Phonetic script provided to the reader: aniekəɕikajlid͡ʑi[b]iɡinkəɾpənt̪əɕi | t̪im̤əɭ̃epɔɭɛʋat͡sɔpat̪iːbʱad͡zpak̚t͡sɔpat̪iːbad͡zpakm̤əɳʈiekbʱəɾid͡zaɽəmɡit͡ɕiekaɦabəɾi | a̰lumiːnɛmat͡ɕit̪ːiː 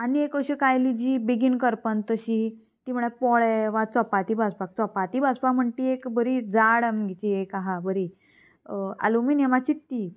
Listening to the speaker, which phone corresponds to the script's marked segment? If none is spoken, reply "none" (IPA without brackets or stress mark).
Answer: b